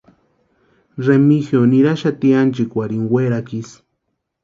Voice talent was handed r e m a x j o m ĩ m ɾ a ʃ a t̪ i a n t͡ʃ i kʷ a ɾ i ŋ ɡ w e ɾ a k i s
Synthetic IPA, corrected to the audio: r e m i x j o n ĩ ɾ a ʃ a t̪ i a n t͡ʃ i kʷ a ɾ i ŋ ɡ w e ɾ a k i s

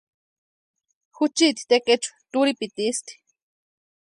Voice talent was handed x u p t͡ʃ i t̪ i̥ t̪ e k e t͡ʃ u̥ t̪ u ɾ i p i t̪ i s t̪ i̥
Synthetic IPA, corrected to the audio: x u t͡ʃ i t̪ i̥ t̪ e k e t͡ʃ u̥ t̪ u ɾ i p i t̪ i s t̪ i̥

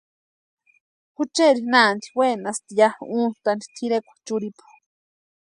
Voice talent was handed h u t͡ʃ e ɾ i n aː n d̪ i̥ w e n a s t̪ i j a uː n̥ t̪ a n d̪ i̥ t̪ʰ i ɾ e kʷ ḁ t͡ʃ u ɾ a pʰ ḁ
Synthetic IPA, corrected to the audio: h u t͡ʃ e ɾ i n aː n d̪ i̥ w e n a s t̪ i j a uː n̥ t̪ a n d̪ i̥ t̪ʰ i ɾ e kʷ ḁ t͡ʃ u ɾ i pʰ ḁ

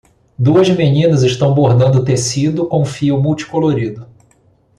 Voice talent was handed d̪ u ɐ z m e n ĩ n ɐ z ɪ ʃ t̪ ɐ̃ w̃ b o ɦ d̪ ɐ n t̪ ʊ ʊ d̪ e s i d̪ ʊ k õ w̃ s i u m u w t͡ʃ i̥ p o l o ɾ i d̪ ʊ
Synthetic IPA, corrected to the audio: d̪ u ɐ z m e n ĩ n ɐ z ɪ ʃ t̪ ɐ̃ w̃ b o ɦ d̪ ɐ̃ n d̪ ʊ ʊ t̪ e s i d̪ ʊ k õ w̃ f i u m u w t͡ʃ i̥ k o l o ɾ i d̪ ʊ

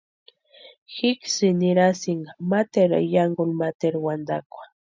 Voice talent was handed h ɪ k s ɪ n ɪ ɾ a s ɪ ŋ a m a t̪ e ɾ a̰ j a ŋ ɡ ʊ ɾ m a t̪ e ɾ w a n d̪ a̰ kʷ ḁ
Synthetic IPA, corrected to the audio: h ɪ k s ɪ n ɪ ɾ a s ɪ ŋ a m a t̪ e ɾ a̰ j a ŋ ɡ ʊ l m a t̪ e ɾ w a n d̪ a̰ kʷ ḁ

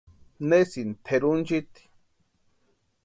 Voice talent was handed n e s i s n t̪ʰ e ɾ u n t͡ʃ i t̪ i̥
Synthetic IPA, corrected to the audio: n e s i n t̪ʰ e ɾ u n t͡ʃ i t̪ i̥

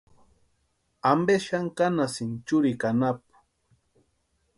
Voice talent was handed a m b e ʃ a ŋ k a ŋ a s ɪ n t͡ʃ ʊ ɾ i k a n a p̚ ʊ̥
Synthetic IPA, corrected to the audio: a m b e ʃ a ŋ k a n a s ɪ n t͡ʃ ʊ ɾ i k a n a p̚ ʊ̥

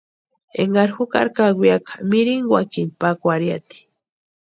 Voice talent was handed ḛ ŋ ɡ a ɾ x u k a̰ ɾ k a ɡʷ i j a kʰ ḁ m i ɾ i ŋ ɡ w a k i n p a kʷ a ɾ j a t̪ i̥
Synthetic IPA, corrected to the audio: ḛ ŋ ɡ a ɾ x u k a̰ ɾ k a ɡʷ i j a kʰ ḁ m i ɾ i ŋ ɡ w a k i n p a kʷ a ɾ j a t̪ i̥

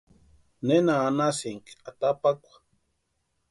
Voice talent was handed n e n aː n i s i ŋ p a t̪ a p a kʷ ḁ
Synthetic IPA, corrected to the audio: n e n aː n a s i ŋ k a t̪ a p a kʷ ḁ

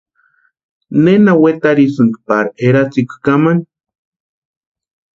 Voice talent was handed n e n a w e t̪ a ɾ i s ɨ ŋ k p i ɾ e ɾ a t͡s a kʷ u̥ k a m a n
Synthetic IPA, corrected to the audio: n e n a w e t̪ a ɾ i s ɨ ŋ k p a ɾ e ɾ a t͡s i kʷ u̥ k a m a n

